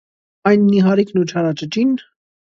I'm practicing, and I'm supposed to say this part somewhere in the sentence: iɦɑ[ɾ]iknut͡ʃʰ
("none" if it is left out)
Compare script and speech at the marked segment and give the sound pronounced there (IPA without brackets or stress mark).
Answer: ɾ